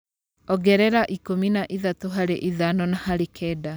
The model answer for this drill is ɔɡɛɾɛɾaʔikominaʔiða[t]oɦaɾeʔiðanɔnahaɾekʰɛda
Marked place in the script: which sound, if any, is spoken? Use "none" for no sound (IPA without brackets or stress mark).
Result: t